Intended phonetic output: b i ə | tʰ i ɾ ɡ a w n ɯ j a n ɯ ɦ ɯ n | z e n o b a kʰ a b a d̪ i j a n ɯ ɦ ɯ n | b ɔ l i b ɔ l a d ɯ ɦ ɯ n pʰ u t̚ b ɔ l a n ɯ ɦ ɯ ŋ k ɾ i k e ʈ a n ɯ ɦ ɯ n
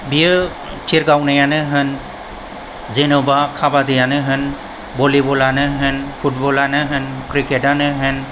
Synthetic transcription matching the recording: b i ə | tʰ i ɾ ɡ a w n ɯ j a n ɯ ɦ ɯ n | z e n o b a kʰ a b a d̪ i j a n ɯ ɦ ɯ n | b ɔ l i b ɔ l a n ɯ ɦ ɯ n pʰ u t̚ b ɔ l a n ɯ ɦ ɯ n k ɾ i k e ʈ a n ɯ ɦ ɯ n